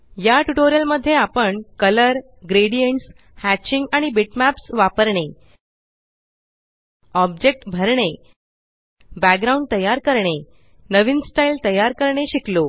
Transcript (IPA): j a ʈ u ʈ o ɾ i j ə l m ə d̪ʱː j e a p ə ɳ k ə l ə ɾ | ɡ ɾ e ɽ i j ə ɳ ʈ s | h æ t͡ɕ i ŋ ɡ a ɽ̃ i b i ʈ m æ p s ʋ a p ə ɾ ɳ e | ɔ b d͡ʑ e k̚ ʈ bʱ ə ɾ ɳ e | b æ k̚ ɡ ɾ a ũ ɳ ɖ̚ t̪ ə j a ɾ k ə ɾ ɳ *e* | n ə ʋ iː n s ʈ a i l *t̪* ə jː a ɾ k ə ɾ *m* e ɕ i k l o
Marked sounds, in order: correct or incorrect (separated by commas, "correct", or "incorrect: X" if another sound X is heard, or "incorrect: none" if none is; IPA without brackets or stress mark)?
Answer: correct, correct, incorrect: ɳ